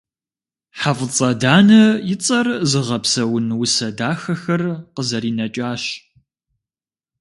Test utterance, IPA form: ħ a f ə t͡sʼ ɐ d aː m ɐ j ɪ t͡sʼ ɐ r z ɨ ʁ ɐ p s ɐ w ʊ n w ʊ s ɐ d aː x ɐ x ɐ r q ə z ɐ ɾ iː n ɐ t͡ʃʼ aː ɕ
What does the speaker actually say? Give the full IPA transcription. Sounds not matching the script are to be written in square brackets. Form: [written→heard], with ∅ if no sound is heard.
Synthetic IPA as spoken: ħ a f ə t͡sʼ ɐ d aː [m→n] ɐ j ɪ t͡sʼ ɐ r z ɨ ʁ ɐ p s ɐ w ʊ n w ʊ s ɐ d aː x ɐ x ɐ r q ə z ɐ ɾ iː n ɐ t͡ʃʼ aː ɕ